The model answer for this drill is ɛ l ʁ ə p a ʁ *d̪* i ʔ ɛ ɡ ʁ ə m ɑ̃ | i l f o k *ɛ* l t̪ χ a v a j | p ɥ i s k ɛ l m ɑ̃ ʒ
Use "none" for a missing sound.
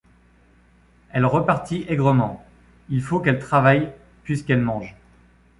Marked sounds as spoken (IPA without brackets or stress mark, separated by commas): t̪, ɛ